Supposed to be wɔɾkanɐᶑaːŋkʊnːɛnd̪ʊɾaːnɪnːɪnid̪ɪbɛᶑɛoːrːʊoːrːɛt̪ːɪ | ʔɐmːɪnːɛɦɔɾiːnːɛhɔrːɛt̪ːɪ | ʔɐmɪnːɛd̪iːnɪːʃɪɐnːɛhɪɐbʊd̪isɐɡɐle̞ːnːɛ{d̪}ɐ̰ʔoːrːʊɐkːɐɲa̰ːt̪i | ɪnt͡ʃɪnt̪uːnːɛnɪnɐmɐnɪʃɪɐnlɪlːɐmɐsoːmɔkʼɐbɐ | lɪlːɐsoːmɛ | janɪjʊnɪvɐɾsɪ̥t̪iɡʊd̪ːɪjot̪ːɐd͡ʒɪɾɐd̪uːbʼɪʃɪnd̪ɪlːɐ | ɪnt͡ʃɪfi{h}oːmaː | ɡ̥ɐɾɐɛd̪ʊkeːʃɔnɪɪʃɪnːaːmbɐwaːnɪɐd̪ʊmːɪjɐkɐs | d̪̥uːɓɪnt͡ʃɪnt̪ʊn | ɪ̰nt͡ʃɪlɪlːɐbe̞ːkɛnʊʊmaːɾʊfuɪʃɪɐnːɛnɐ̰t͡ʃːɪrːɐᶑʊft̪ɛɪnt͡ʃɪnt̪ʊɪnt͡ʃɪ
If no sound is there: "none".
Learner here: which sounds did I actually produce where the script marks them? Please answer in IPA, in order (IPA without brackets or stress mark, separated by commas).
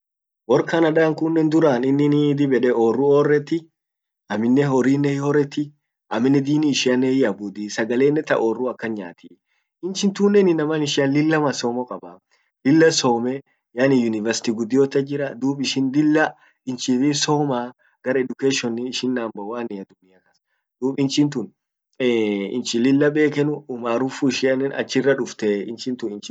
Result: t̪, s